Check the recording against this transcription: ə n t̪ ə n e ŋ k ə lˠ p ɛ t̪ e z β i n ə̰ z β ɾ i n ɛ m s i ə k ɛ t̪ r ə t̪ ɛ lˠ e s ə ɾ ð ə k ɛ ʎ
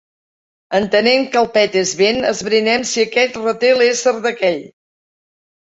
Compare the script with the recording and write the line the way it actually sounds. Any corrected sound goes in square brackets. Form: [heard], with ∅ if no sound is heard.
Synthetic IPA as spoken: ə n t̪ ə n e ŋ k ə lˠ p ɛ t̪ e z β [e] n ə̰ z β ɾ i n ɛ m s i ə k ɛ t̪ r ə t̪ [e] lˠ e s ə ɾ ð ə k ɛ ʎ

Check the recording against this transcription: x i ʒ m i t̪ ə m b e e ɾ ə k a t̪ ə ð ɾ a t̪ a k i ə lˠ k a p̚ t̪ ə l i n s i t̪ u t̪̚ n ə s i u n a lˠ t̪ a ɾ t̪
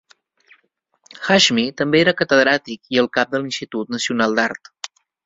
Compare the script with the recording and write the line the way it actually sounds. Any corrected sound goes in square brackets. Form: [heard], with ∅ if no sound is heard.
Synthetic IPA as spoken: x [a] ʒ m i t̪ ə m b e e ɾ ə k [ə] t̪ ə ð ɾ a t̪ [i] k i ə lˠ k a p̚ [d̪] ə l i n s i t̪ u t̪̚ n ə s i u n a lˠ [d̪] a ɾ t̪

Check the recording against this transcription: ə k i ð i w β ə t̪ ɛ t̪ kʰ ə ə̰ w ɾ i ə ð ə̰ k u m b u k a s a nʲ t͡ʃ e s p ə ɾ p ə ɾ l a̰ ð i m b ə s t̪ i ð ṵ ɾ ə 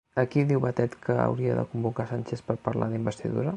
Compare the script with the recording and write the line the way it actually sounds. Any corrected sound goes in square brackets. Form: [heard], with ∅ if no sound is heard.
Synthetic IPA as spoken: ə k i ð i w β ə t̪ ɛ t̪ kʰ ə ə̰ w ɾ i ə ð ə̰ k u m b u k a s a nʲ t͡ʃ e s p ə ɾ p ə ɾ l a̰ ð i m b ə s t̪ i ð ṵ ɾ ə

